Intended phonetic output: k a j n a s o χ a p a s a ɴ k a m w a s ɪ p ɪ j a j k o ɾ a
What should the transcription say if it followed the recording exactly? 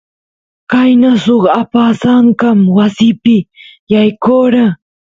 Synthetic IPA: k a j n a s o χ a p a s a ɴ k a m w a s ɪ p ɪ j a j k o ɾ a